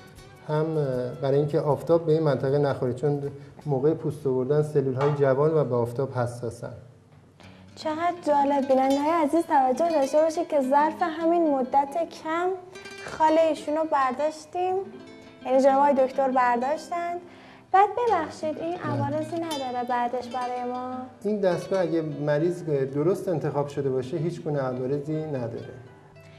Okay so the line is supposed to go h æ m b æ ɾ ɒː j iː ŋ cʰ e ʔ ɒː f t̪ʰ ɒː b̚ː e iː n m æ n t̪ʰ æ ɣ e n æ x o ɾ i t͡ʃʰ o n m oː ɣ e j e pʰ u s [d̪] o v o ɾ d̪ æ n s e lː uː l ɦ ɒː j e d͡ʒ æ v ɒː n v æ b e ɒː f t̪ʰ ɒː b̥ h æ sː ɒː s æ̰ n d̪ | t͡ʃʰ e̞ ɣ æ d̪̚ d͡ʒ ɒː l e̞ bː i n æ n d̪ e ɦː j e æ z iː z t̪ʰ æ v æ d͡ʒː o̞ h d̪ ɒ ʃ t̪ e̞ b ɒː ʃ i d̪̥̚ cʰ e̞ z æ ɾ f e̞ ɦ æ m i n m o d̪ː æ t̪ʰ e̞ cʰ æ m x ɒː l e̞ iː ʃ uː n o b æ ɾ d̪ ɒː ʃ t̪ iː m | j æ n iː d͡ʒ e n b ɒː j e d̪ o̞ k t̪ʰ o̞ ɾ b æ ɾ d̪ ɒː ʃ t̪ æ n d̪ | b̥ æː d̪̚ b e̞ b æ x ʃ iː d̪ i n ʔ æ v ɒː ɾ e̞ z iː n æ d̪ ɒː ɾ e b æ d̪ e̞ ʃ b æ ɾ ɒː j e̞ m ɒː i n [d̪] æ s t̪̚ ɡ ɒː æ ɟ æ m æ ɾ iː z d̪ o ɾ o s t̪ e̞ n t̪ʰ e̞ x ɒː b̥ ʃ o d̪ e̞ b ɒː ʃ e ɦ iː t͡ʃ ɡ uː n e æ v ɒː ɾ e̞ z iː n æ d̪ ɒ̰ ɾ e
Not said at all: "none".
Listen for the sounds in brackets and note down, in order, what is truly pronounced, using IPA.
t̪, d̪

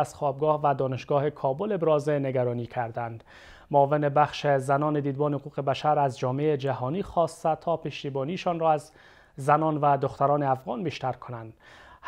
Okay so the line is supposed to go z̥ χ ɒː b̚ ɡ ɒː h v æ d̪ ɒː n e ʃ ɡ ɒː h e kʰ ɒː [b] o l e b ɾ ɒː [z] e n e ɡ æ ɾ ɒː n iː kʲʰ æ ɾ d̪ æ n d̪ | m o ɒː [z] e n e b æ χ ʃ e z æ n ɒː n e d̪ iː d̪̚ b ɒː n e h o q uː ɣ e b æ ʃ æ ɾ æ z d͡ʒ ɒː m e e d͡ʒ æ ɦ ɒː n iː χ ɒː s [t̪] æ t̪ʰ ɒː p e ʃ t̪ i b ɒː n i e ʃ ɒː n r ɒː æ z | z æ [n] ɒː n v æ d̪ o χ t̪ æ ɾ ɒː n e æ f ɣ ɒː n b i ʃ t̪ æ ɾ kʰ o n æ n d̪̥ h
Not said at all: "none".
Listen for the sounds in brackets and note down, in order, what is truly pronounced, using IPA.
b, z, v, t̪, n

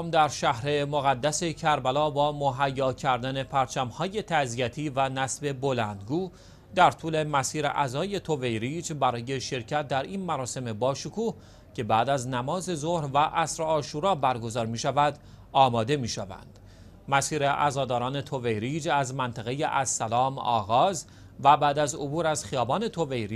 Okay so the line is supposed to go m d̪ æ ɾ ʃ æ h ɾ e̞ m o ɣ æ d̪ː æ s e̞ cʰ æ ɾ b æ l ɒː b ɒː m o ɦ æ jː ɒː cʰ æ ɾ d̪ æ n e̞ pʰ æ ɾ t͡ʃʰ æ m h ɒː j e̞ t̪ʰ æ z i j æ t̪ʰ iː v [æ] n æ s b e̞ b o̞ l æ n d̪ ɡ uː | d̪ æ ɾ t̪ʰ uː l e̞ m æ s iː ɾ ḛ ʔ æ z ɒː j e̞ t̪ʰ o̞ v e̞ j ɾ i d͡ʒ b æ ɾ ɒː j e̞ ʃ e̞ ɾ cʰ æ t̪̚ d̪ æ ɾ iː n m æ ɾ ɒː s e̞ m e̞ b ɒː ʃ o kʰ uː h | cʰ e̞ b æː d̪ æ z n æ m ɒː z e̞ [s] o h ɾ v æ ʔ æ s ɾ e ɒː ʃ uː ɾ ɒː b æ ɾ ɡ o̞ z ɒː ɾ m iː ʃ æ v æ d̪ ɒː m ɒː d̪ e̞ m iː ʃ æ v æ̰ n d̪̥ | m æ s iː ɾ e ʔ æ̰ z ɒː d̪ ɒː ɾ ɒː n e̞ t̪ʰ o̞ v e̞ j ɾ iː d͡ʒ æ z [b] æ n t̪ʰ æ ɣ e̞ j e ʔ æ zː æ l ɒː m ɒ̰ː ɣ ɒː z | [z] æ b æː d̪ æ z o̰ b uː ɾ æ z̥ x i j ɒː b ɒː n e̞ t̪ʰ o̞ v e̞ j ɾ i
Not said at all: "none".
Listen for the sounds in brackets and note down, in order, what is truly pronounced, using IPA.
æ, z, m, v

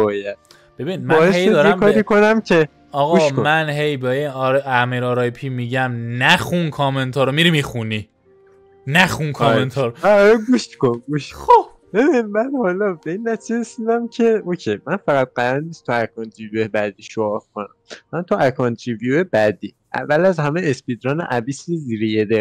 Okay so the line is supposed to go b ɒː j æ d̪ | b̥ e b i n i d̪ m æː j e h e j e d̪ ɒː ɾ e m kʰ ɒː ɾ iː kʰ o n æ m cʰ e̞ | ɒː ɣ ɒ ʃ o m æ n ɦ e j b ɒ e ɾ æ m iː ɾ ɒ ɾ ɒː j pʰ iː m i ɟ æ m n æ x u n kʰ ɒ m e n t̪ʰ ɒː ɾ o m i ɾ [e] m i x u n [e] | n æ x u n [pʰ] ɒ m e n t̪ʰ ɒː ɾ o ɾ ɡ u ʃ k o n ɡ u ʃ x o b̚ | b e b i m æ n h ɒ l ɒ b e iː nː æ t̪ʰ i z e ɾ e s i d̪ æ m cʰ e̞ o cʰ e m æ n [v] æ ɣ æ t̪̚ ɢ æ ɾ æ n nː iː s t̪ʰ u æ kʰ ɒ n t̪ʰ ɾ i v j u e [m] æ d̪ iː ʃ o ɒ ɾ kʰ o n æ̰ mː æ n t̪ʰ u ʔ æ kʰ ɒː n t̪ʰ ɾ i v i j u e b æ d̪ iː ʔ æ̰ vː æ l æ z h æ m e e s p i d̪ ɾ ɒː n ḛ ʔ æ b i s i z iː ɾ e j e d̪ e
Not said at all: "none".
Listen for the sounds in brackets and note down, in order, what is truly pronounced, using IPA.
i, i, kʰ, f, b

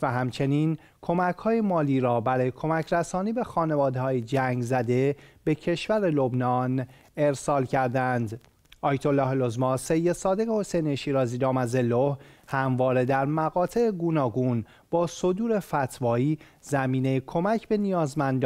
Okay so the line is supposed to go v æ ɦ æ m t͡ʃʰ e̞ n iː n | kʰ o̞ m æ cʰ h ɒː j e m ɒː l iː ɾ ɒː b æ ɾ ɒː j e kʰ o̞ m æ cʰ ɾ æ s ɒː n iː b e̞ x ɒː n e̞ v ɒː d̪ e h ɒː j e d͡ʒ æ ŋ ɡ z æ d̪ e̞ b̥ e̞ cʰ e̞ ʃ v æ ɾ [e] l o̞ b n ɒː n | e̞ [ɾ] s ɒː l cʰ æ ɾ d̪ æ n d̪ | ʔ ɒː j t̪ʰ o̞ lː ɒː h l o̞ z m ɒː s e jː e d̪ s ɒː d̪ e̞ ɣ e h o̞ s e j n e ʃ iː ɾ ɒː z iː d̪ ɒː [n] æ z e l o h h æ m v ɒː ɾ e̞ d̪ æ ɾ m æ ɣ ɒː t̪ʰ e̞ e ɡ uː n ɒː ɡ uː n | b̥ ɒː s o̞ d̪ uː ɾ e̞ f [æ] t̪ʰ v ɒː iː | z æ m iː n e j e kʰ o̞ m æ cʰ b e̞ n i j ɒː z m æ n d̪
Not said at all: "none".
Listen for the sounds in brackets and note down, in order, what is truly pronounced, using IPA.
e, ɾ, m, æ

